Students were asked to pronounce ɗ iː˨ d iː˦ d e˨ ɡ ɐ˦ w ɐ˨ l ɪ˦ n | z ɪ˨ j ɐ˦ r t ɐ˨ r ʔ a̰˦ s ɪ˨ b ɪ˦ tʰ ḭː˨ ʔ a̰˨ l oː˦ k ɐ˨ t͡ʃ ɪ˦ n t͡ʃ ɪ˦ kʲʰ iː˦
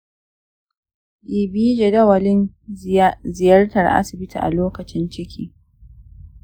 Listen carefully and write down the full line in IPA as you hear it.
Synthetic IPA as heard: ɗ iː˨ b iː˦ d͡ʒ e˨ d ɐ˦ w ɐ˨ l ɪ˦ n | z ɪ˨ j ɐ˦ r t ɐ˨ r ʔ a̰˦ s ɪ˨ b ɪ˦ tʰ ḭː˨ ʔ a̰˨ l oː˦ k ɐ˨ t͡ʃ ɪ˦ n t͡ʃ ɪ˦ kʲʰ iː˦